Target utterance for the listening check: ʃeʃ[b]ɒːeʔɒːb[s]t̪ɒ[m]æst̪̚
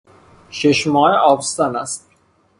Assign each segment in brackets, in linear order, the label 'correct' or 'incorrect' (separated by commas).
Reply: incorrect, correct, incorrect